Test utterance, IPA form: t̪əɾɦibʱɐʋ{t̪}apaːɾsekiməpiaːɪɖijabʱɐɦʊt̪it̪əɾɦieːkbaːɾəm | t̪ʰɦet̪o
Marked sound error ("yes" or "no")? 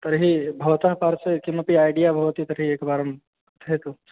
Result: no